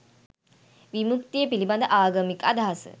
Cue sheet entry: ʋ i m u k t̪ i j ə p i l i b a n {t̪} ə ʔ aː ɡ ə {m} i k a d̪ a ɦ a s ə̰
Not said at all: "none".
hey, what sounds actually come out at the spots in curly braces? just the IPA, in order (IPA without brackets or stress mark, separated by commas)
d̪, m